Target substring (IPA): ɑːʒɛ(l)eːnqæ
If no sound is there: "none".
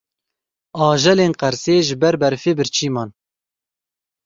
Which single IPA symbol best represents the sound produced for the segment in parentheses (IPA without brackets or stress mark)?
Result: l